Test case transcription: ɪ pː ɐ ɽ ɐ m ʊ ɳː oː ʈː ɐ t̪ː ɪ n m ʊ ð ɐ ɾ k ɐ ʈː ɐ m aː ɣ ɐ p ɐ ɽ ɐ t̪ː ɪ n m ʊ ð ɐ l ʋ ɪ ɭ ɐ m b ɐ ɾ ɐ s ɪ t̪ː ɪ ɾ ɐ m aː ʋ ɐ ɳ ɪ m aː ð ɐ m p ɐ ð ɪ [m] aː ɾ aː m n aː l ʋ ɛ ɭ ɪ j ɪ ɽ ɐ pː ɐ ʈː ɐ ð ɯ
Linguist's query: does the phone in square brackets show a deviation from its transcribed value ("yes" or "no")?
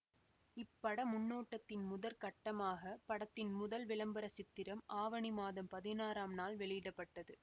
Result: yes